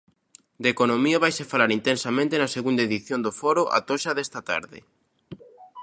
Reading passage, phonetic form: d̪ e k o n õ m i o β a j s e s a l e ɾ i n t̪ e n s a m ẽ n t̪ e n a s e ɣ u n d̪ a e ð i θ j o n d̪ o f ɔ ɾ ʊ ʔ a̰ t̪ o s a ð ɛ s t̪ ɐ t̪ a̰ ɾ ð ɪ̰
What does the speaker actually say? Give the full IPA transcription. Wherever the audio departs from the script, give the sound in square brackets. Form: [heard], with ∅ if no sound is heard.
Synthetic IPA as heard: d̪ e k o n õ m i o β a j s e [f] a l [a] ɾ i n t̪ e n s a m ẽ n t̪ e n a s e ɣ u n d̪ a e ð i θ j o n d̪ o f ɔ ɾ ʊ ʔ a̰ t̪ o [ʃ] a ð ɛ s t̪ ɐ t̪ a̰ ɾ ð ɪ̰